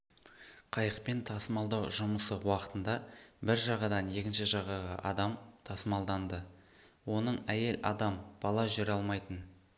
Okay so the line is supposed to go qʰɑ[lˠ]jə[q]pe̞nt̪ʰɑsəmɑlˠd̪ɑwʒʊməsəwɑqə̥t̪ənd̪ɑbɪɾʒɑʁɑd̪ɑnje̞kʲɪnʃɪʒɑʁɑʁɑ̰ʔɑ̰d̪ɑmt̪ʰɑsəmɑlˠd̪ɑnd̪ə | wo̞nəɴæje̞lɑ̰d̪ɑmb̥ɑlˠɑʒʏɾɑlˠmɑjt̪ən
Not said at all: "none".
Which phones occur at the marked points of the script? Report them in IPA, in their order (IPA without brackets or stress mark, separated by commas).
none, q